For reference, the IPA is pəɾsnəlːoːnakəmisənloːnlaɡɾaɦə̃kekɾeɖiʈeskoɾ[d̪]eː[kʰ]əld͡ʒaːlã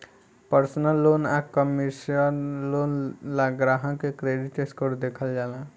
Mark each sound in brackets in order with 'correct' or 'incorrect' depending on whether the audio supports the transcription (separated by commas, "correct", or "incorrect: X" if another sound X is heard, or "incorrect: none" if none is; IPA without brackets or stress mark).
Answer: correct, correct